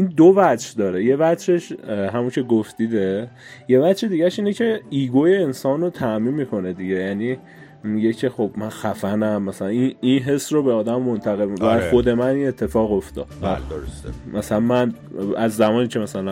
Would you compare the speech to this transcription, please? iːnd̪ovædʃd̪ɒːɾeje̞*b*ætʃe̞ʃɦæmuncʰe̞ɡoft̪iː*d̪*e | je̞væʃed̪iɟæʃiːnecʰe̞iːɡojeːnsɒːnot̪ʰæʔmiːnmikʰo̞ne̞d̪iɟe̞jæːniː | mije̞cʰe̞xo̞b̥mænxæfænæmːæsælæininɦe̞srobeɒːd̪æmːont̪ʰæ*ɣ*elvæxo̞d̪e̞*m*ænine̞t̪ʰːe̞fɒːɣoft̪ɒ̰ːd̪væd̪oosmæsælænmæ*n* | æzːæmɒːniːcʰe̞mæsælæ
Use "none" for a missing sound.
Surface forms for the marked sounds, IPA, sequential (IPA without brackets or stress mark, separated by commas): v, d̪, ɣ, m, n